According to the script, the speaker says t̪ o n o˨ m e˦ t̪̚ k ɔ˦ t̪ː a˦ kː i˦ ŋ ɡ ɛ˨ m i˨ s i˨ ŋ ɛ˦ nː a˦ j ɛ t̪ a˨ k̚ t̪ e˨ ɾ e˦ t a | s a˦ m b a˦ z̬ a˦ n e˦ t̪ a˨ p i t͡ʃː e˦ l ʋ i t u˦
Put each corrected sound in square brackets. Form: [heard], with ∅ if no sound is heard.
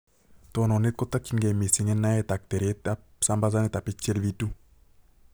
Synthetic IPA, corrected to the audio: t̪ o n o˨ [n] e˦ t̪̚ k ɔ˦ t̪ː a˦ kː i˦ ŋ ɡ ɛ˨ m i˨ s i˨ ŋ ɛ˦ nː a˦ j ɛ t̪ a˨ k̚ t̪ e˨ ɾ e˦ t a | s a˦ m b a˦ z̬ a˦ n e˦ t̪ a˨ p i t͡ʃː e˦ l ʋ i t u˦